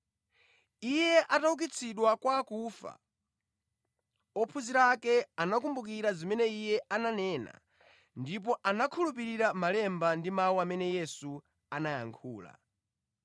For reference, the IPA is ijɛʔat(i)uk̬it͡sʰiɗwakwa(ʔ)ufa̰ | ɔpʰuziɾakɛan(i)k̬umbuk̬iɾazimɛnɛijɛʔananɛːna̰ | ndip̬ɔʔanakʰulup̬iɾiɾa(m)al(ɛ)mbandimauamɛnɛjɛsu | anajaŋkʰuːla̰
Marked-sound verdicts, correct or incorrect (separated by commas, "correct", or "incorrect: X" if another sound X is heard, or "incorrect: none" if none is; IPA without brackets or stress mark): incorrect: a, incorrect: k, incorrect: a, correct, correct